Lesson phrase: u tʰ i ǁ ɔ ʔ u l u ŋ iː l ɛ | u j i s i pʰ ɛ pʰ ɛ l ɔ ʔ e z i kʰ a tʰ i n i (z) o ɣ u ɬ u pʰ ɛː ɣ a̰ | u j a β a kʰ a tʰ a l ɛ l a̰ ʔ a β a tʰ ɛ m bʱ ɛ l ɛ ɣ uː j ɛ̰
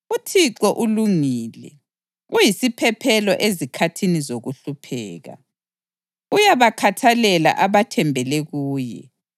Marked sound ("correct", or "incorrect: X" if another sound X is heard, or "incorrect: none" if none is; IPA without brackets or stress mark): correct